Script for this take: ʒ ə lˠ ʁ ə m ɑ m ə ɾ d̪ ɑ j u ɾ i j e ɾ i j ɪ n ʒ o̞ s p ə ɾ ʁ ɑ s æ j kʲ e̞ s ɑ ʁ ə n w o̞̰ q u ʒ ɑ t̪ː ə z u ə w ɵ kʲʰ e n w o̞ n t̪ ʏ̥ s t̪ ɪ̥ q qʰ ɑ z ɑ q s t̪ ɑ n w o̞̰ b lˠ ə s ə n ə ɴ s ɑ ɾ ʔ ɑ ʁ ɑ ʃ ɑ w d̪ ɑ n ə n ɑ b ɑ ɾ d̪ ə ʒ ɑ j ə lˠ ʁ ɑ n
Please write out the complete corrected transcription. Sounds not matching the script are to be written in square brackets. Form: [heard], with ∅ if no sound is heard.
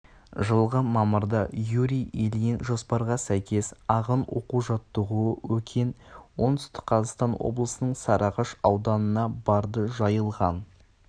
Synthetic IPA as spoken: ʒ ə lˠ ʁ ə m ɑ m ə ɾ d̪ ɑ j u ɾ i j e [l] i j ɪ n ʒ o̞ s p [ɑ] ɾ ʁ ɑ s æ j kʲ e̞ s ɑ ʁ ə n w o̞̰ q u ʒ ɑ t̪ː ə [ʁ] u ə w ɵ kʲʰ e n w o̞ n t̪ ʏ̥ s t̪ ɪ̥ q qʰ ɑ z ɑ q s t̪ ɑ n w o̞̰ b lˠ ə s ə n ə ɴ s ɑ ɾ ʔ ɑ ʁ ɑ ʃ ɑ w d̪ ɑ n ə n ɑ b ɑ ɾ d̪ ə ʒ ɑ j ə lˠ ʁ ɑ n

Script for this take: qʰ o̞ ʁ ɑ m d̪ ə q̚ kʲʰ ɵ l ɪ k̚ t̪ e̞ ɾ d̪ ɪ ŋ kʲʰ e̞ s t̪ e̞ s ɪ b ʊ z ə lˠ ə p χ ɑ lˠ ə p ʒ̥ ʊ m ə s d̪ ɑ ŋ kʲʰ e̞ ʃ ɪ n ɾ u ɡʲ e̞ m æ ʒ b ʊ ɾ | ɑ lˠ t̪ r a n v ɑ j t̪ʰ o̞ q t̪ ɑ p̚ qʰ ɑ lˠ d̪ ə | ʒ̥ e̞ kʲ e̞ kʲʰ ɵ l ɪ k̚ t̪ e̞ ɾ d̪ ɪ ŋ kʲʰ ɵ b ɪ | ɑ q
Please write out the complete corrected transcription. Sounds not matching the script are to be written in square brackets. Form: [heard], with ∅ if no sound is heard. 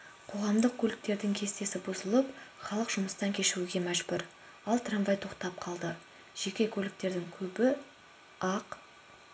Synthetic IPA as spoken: qʰ o̞ ʁ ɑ m d̪ ə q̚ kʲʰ ɵ l ɪ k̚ t̪ e̞ ɾ d̪ ɪ ŋ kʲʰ e̞ s t̪ e̞ s ɪ b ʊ z ə lˠ ə p χ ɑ lˠ ə [q] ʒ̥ ʊ m ə s [t̪] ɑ ŋ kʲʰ e̞ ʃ ɪ [∅] ɾ u ɡʲ e̞ m æ ʒ b ʊ ɾ | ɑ lˠ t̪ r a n v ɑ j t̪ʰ o̞ q t̪ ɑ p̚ qʰ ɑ lˠ d̪ ə | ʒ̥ e̞ kʲ e̞ kʲʰ ɵ l ɪ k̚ t̪ e̞ ɾ d̪ ɪ ŋ kʲʰ ɵ b ɪ | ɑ q

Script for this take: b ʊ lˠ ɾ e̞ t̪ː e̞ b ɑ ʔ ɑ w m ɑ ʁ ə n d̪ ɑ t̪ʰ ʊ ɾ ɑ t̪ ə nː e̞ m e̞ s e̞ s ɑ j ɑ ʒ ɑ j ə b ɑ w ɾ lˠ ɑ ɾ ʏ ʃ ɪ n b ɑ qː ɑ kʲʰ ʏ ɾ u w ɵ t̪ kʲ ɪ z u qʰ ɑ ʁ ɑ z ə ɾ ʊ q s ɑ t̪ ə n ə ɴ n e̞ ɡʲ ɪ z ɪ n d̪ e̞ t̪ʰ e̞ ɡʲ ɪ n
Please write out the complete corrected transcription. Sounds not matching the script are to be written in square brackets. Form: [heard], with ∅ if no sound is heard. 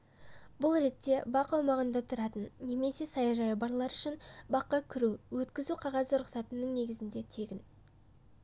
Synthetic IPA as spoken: b ʊ lˠ ɾ e̞ t̪ː e̞ b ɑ [q] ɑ w m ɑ ʁ ə n d̪ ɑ t̪ʰ ʊ ɾ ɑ t̪ ə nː e̞ m e̞ s e̞ s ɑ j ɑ ʒ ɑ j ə b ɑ [∅] ɾ lˠ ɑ ɾ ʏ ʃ ɪ n b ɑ qː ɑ kʲʰ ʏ ɾ u w ɵ t̪ kʲ ɪ z u qʰ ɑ ʁ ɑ z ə ɾ ʊ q s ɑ t̪ ə n ə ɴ n e̞ ɡʲ ɪ z ɪ n d̪ e̞ t̪ʰ e̞ ɡʲ ɪ n

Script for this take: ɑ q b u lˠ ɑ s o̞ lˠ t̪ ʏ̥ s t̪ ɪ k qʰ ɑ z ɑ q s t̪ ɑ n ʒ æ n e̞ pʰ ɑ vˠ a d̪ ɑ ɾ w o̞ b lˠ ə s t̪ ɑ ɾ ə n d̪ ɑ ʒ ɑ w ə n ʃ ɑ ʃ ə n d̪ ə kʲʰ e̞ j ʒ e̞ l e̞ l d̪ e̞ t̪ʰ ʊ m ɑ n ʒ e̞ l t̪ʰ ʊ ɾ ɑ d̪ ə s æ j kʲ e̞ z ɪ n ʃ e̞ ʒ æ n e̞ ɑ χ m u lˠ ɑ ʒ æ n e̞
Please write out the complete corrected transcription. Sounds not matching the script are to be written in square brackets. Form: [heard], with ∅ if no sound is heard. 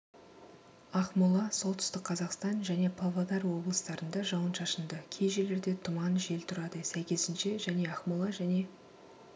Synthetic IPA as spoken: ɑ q [m] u lˠ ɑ s o̞ lˠ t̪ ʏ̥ s t̪ ɪ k qʰ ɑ z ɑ q s t̪ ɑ n ʒ æ n e̞ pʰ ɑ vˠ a d̪ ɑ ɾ w o̞ b lˠ ə s t̪ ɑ ɾ ə n d̪ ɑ ʒ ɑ w ə n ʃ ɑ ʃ ə n d̪ ə kʲʰ e̞ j ʒ e̞ l e̞ [ɾ] d̪ e̞ t̪ʰ ʊ m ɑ n ʒ e̞ l t̪ʰ ʊ ɾ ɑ d̪ ə s æ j kʲ e̞ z ɪ n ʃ e̞ ʒ æ n e̞ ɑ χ m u lˠ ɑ ʒ æ n e̞

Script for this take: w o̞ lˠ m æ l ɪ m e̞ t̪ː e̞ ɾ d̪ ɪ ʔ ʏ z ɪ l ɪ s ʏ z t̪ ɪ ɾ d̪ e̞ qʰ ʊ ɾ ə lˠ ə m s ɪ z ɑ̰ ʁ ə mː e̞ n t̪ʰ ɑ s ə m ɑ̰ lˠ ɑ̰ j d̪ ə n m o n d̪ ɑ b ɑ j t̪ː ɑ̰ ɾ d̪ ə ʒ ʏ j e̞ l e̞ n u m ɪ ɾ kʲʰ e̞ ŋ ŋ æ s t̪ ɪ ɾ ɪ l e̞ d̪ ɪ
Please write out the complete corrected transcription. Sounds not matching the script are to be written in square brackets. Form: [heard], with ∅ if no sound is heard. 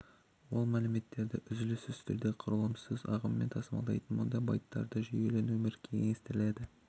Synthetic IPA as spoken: w o̞ lˠ m æ l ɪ m e̞ t̪ː e̞ ɾ d̪ ɪ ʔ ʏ z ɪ l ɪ s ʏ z t̪ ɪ ɾ d̪ e̞ qʰ ʊ ɾ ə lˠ ə m s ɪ z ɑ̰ ʁ ə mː e̞ n t̪ʰ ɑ s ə m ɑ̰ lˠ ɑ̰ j [t̪] ə n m o n d̪ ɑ b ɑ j t̪ː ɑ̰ ɾ d̪ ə ʒ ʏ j e̞ l e̞ n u m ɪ ɾ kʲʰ e̞ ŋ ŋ [e] s t̪ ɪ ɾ ɪ l e̞ d̪ ɪ

